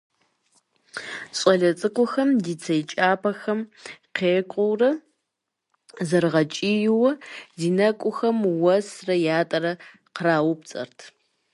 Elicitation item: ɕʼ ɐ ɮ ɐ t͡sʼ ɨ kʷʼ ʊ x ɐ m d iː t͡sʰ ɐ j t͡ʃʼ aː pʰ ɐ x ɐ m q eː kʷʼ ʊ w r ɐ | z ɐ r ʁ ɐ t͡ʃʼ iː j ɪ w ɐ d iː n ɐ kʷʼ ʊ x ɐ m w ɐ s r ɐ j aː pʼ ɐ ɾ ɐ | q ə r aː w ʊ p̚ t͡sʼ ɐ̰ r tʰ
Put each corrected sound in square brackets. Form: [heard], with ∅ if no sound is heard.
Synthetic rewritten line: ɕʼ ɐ ɮ ɐ t͡sʼ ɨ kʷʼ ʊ x ɐ m d iː t͡sʰ ɐ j t͡ʃʼ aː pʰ ɐ x ɐ m q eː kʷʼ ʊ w r ɐ | z ɐ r ʁ ɐ t͡ʃʼ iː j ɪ w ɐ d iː n ɐ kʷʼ ʊ x ɐ m w ɐ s r ɐ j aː [tʼ] ɐ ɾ ɐ | q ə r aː w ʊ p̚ t͡sʼ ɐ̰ r tʰ